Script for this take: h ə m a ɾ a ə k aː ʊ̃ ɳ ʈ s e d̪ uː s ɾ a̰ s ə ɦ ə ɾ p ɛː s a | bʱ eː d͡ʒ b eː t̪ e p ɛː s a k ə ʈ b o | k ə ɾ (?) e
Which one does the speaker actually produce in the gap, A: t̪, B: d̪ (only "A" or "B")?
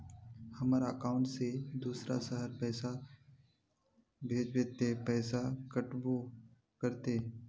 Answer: A